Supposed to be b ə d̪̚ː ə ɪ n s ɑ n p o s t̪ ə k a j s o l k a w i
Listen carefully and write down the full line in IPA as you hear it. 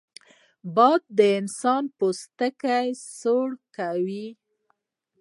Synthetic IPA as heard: b ɑ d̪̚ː ə ɪ n s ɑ n p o s t̪ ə k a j s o ɽ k a w i